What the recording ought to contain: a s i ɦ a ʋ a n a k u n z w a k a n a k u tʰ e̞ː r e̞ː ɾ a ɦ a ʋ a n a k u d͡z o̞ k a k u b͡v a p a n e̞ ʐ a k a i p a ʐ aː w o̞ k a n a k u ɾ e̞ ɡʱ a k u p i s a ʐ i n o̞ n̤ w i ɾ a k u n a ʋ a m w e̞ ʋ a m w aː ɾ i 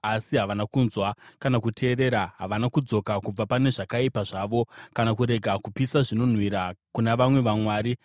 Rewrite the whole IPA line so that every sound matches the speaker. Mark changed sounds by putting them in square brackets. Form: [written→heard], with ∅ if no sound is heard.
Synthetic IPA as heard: a s i ɦ a ʋ a n a k u n z w a k a n a k u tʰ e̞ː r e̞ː ɾ a ɦ a ʋ a n a k u d͡z o̞ k a k u b͡v a p a n e̞ ʐ a k a i p a ʐ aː [w→ʋ] o̞ k a n a k u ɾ e̞ ɡʱ a k u p i s a ʐ i n o̞ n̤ w i ɾ a k u n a ʋ a m w e̞ ʋ a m w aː ɾ i

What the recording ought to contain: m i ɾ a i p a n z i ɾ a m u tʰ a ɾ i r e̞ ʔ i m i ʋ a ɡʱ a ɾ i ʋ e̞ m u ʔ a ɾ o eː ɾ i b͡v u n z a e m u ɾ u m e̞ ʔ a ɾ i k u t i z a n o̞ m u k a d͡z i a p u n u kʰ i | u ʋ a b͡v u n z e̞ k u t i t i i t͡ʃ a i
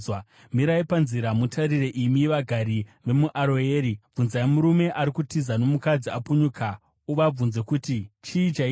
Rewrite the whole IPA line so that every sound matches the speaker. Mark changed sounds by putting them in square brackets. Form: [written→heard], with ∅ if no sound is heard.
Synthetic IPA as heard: m i ɾ a i p a n z i ɾ a m u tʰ a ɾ i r e̞ ʔ i m i ʋ a ɡʱ a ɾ i ʋ e̞ m u ʔ a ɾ o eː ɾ i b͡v u n z a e m u ɾ u m e̞ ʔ a ɾ i k u t i z a n o̞ m u k a d͡z i a p u [n→ɲ] u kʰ [i→a] | u ʋ a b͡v u n z e̞ k u t i [t→t͡ʃ] i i t͡ʃ a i

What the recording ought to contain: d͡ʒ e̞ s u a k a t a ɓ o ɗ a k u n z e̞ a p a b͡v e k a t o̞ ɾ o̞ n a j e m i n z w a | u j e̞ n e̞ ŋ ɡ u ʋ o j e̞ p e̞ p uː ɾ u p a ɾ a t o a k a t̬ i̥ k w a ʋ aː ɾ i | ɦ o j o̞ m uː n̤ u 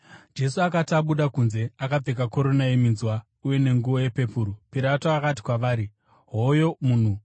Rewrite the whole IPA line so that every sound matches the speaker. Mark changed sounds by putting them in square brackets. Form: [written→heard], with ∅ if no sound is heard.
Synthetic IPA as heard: d͡ʒ e̞ s u a k a t a ɓ [o→u] ɗ a k u n z e̞ a [p→k] a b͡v e k a [t→k] o̞ ɾ o̞ n a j e m i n z w a | u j e̞ n e̞ ŋ ɡ u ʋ o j e̞ p e̞ p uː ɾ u p [a→i] ɾ a t o a k a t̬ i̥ k w a ʋ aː ɾ i | ɦ o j o̞ m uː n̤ u

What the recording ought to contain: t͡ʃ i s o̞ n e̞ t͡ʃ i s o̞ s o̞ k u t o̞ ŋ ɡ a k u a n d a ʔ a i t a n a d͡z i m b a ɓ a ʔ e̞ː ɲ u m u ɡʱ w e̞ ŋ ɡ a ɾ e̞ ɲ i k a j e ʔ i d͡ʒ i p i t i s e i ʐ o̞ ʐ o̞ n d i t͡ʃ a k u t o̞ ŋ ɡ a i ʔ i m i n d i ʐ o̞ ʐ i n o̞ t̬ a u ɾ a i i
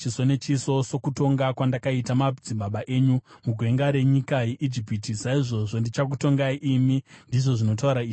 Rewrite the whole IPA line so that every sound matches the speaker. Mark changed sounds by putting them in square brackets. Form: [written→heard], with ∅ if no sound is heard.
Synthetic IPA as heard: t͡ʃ i s o̞ n e̞ t͡ʃ i s o̞ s o̞ k u t o̞ ŋ ɡ a k [u→w] a n d a [ʔ→k] a i t a [n→m] a d͡z i m b a ɓ a ʔ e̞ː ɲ u m u ɡʱ w e̞ ŋ ɡ a ɾ e̞ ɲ i k a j e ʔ i d͡ʒ i p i t i s [e→a] i ʐ o̞ ʐ o̞ n d i t͡ʃ a k u t o̞ ŋ ɡ a i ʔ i m i n d i ʐ o̞ ʐ i n o̞ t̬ a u ɾ a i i

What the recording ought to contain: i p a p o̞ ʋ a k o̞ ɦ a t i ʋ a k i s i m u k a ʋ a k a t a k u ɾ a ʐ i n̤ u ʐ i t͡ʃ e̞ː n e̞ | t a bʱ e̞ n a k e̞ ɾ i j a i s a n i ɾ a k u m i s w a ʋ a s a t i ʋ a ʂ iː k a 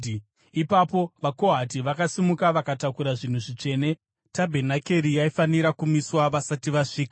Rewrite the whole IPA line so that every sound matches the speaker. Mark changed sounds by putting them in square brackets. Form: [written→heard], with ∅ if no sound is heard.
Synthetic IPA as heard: i p a p o̞ ʋ a k o̞ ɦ a t i ʋ a k [i→a] s i m u k a ʋ a k a t a k u ɾ a ʐ i n̤ u ʐ i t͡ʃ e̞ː n e̞ | t a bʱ e̞ n a k e̞ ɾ i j a i [s→f] a n i ɾ a k u m i s w a ʋ a s a t i ʋ a ʂ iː k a

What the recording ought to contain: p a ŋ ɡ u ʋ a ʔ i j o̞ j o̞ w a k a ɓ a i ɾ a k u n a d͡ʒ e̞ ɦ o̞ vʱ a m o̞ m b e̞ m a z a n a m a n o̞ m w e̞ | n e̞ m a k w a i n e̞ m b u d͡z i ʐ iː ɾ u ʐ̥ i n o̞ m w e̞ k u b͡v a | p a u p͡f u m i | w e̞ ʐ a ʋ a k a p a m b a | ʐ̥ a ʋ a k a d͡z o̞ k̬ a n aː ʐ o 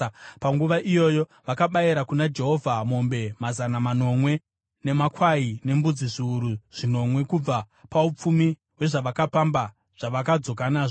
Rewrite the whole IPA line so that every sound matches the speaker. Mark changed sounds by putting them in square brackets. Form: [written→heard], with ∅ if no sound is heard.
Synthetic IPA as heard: p a ŋ ɡ u ʋ a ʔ i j o̞ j o̞ [w→ʋ] a k a ɓ a i ɾ a k u n a d͡ʒ e̞ ɦ o̞ vʱ a m o̞ m b e̞ m a z a n a m a n o̞ m w e̞ | n e̞ m a k w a i n e̞ m b u d͡z i ʐ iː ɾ u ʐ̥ i n o̞ m w e̞ k u b͡v a | p a u p͡f u m i | w e̞ ʐ a ʋ a k a p a m b a | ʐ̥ a ʋ a k a d͡z o̞ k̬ a n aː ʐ o

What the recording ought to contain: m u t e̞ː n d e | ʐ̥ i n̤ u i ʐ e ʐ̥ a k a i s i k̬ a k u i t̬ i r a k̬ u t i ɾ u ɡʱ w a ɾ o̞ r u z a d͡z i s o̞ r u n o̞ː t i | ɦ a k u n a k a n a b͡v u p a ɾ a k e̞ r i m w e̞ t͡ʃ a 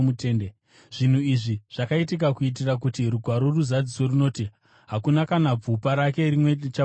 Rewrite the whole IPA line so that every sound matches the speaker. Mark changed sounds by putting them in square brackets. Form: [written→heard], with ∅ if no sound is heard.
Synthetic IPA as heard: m u t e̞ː n d e | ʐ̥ i n̤ u i ʐ [e→i] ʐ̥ a k a i [s→t] i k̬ a k u i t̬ i r a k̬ u t i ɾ u ɡʱ w a ɾ o̞ r u z a d͡z i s o̞ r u n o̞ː t i | ɦ a k u n a k a n a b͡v u p a ɾ a k e̞ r i m w e̞ t͡ʃ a

